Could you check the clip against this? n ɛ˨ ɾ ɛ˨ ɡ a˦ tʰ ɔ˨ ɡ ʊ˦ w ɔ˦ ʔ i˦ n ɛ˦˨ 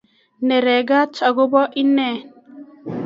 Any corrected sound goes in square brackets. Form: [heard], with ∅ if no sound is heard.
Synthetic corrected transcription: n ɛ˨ ɾ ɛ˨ ɡ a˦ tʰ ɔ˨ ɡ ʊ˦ [b] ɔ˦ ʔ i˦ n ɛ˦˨